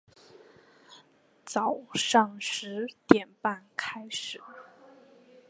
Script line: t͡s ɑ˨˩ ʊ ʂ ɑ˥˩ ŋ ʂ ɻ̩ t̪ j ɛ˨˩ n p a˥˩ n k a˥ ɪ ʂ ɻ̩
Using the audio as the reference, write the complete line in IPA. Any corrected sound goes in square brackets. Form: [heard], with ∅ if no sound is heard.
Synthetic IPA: t͡s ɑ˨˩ ʊ ʂ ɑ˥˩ ŋ ʂ ɻ̩ t̪ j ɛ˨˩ n p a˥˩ n [kʰ] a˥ ɪ ʂ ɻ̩